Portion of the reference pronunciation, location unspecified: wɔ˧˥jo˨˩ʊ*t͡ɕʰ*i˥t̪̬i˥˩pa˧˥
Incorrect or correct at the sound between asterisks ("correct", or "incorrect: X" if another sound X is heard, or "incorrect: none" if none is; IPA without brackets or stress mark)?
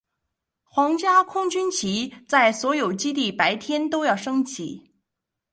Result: incorrect: t͡ɕ